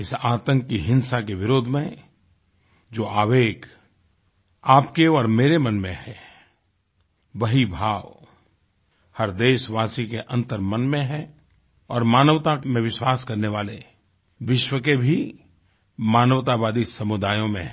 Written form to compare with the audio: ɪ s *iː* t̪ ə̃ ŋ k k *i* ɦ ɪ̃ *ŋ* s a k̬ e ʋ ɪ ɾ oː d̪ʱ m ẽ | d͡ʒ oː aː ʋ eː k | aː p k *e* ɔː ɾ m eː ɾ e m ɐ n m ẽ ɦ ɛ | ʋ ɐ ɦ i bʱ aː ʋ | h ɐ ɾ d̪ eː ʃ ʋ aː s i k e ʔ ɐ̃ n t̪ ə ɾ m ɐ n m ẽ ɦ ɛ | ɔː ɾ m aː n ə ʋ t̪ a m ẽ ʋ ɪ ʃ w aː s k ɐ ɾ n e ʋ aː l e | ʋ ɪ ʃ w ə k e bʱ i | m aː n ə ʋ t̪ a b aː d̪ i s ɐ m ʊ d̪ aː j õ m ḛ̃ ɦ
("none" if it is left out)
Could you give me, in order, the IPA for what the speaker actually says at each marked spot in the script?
aː, i, n, e

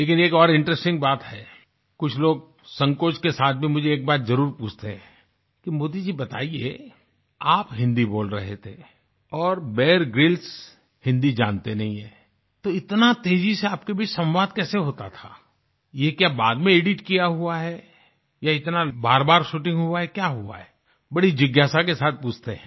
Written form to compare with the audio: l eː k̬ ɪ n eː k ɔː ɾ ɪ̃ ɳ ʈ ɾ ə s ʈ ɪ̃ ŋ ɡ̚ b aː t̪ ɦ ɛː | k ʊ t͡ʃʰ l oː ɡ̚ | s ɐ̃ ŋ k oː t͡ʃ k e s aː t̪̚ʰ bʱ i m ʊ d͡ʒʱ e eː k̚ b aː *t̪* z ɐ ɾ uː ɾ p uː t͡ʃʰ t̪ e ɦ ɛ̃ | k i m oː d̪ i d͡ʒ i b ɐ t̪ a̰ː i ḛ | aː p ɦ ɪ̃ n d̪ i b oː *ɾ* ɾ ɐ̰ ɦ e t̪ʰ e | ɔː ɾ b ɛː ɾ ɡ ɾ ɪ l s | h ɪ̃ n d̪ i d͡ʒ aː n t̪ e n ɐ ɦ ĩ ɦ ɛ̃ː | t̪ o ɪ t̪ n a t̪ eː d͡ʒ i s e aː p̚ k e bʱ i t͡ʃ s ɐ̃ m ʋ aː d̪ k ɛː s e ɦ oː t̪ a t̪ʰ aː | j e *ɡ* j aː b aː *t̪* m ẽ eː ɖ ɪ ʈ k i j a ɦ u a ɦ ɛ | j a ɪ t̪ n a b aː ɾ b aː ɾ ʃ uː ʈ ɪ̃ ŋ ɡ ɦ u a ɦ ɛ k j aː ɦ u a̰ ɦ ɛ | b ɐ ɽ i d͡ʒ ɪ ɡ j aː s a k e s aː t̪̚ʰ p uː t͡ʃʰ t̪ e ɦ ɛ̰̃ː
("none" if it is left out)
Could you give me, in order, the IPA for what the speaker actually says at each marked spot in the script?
t̪, l, k, d̪

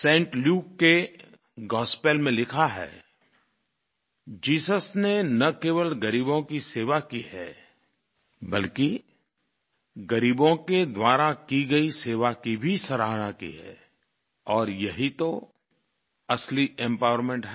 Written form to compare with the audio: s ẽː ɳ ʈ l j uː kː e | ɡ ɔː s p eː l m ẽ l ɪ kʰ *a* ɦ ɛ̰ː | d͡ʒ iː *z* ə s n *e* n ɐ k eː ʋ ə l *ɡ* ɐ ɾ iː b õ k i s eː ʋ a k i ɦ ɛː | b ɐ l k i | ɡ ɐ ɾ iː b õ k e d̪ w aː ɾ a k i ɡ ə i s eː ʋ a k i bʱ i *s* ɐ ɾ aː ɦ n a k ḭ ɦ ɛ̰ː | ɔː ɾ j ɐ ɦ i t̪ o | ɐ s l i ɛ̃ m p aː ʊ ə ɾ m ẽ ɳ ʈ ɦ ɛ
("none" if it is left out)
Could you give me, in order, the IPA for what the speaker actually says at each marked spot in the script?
a, s, e, ɡ, s

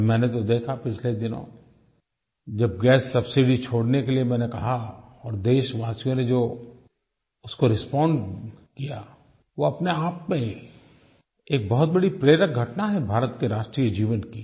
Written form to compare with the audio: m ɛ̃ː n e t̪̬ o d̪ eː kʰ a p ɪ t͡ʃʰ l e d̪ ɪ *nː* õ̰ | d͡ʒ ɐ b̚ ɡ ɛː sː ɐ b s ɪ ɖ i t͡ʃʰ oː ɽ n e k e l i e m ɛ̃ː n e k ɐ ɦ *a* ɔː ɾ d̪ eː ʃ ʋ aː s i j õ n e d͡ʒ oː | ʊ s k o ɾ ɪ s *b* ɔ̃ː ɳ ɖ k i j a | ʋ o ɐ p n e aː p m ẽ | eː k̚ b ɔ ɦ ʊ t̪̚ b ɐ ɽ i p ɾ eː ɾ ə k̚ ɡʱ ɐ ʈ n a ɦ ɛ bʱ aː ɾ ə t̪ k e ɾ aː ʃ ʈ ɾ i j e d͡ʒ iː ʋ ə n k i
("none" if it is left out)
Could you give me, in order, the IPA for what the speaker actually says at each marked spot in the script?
n, a, p

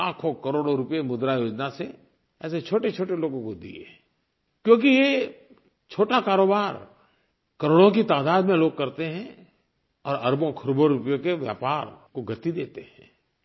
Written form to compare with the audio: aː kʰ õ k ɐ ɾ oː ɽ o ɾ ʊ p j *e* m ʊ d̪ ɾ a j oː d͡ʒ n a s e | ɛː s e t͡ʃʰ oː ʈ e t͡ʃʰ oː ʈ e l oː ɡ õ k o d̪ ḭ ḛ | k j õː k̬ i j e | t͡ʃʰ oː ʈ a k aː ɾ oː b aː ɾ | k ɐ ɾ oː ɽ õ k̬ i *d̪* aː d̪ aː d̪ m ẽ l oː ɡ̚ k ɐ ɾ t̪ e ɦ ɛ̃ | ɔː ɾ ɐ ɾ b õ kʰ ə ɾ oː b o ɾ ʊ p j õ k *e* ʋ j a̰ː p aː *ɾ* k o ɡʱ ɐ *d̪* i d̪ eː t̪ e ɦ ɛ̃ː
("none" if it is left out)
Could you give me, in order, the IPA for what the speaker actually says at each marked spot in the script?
e, t̪, e, ɾ, t̪

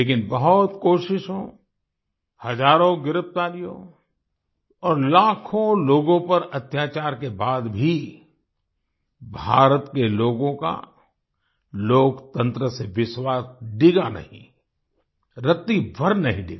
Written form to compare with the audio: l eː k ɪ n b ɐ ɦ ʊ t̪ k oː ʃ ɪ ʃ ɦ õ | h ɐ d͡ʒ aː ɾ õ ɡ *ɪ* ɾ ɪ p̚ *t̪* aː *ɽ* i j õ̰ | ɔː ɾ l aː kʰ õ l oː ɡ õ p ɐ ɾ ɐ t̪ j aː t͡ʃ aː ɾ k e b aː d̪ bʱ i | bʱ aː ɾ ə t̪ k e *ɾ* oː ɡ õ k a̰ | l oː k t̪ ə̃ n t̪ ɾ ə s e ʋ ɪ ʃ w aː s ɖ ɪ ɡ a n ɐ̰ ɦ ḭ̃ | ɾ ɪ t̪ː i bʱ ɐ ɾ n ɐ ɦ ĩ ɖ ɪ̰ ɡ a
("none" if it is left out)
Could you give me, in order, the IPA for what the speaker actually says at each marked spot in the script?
ɪ, t̪, l, l

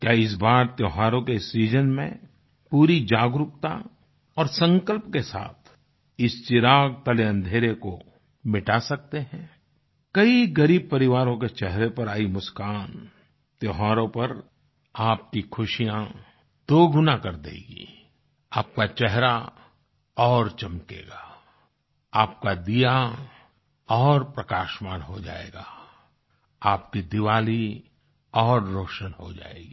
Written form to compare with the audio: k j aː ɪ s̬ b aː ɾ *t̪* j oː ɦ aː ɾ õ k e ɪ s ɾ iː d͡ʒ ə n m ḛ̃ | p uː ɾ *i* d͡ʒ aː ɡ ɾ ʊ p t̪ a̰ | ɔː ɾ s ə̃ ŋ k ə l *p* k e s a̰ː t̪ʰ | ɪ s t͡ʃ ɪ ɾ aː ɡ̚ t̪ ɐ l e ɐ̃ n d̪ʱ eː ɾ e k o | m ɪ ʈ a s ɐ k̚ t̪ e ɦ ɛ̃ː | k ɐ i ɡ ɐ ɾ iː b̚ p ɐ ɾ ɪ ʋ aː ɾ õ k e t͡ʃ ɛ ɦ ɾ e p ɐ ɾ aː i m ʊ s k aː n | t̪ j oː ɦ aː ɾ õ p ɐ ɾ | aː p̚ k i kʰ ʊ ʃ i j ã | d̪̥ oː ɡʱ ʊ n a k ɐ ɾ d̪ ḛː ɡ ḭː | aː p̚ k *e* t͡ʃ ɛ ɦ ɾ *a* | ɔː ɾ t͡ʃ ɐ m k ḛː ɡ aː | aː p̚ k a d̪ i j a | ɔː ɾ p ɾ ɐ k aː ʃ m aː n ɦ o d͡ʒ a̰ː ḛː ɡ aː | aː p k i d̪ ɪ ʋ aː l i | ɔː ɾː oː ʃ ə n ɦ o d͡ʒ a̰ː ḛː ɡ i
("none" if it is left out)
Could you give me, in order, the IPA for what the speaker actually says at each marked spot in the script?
t̪, i, p, a, a

